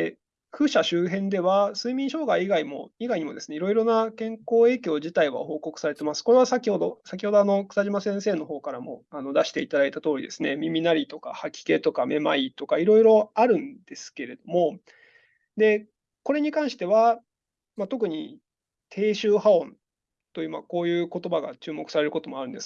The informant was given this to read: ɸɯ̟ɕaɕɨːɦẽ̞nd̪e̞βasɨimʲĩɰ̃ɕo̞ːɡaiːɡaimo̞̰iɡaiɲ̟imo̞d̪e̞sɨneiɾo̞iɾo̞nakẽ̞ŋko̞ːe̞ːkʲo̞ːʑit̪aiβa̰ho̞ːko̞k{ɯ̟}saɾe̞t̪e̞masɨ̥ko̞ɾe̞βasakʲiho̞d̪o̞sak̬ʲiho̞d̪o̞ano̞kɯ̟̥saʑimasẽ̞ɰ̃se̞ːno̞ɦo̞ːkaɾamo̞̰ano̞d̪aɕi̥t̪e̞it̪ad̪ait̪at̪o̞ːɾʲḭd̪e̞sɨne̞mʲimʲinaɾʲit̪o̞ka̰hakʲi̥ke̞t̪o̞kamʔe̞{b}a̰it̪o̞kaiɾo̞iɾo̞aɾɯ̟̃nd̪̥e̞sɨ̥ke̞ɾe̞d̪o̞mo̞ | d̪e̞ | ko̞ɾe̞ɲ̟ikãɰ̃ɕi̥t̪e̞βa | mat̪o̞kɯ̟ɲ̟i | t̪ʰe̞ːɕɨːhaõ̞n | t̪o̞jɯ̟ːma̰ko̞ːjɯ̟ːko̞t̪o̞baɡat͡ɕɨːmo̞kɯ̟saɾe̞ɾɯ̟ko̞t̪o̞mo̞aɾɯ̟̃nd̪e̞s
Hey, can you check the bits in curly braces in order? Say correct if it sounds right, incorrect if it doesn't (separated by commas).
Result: correct, incorrect